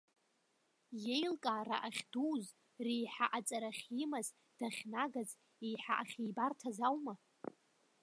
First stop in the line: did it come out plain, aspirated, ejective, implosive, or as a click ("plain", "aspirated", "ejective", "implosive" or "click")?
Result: ejective